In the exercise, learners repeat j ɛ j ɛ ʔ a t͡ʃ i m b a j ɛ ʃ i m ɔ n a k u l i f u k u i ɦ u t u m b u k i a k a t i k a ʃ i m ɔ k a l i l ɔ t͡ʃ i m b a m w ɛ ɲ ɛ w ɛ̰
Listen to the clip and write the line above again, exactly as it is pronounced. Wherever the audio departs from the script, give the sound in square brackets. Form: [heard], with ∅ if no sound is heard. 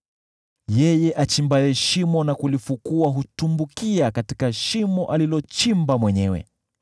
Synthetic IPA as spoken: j ɛ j ɛ ʔ a t͡ʃ i m b a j ɛ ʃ i m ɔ n a k u l i f u k u [a] ɦ u t u m b u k i a k a t i k a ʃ i m ɔ [ʔ] a l i l ɔ t͡ʃ i m b a m w ɛ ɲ ɛ w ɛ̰